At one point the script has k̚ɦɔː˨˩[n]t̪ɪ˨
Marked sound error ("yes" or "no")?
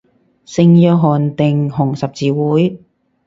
no